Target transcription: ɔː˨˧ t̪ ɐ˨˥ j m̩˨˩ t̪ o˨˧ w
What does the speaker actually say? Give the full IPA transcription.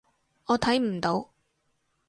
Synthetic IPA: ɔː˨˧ t̪ʰ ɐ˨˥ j m̩˨˩ t̪ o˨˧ w

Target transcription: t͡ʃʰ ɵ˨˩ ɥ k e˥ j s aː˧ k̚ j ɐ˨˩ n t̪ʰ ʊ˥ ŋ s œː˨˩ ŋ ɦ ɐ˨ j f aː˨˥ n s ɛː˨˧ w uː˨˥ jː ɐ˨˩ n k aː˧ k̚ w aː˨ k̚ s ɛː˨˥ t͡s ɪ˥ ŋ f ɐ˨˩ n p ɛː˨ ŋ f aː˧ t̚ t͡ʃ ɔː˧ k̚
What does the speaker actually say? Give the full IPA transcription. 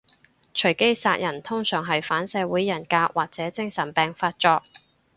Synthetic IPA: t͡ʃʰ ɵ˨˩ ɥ k e˥ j s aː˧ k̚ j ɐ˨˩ n t̪ʰ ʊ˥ ŋ s œː˨˩ ŋ ɦ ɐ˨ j f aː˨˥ n s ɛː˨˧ w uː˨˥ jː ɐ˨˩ n k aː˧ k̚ w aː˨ k̚ t͡s ɛː˨˥ t͡s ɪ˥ ŋ s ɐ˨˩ n p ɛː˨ ŋ f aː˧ t̚ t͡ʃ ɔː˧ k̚

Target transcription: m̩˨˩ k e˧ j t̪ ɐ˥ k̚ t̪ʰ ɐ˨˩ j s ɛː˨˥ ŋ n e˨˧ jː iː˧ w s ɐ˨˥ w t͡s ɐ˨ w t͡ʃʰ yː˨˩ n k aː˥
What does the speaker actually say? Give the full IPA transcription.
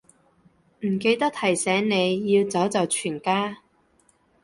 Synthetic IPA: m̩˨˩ k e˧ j t̪ ɐ˥ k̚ t̪ʰ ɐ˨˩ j s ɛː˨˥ ŋ n e˨˧ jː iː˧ w t͡s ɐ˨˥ w t͡s ɐ˨ w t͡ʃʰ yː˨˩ n k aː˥

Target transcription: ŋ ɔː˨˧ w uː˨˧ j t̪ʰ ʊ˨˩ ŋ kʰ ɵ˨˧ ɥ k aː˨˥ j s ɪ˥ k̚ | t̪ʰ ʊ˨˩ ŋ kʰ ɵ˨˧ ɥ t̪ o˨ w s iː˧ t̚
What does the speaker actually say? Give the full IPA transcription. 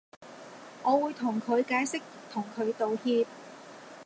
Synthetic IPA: ŋ ɔː˨˧ w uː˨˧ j t̪ʰ ʊ˨˩ ŋ kʰ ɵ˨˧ ɥ k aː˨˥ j s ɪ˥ k̚ | t̪ʰ ʊ˨˩ ŋ kʰ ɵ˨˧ ɥ t̪ o˨ w h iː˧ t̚

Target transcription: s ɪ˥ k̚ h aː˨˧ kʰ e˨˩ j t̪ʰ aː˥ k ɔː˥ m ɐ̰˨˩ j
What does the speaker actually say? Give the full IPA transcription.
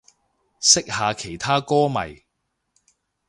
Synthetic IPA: s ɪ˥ k̚ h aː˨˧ kʰ e˨˩ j t̪ʰ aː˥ k ɔː˥ m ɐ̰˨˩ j

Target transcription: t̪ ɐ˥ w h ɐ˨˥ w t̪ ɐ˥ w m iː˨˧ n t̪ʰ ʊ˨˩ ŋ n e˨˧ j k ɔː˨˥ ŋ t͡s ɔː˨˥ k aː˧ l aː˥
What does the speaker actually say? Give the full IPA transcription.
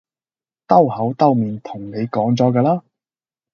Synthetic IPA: t̪ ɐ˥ w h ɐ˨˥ w t̪ ɐ˥ w m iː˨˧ n t̪ʰ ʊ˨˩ ŋ n e˨˧ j k ɔː˨˥ ŋ t͡s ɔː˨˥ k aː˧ l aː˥

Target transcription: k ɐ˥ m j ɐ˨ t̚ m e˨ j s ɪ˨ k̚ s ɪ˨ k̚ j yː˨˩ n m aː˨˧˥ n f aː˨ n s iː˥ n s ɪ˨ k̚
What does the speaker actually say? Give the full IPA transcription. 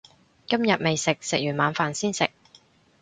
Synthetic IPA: k ɐ˥ m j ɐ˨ t̚ m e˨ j s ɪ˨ k̚ s ɪ˨ k̚ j yː˨˩ n m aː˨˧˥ n f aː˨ n s iː˥ n s ɪ˨ k̚

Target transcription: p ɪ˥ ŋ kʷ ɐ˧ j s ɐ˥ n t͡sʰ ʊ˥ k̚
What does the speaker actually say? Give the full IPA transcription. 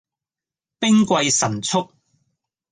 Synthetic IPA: p ɪ˥ ŋ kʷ ɐ˧ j s ɐ˨˩ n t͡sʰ ʊ˥ k̚

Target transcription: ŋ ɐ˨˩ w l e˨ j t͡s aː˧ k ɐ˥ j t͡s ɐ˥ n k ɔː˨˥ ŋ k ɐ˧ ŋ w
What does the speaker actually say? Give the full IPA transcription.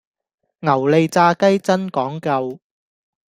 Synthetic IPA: ŋ ɐ˨˩ w l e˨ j t͡s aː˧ k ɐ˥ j t͡s ɐ˥ n k ɔː˨˥ ŋ k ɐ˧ w

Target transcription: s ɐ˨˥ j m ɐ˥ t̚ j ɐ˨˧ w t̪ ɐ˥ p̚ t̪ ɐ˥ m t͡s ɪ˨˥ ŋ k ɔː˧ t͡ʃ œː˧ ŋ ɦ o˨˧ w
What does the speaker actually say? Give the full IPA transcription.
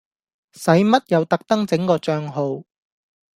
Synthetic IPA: s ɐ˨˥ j m ɐ˥ t̚ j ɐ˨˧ w t̪ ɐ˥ k̚ t̪ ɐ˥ ŋ t͡s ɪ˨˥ ŋ k ɔː˧ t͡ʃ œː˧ ŋ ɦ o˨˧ w

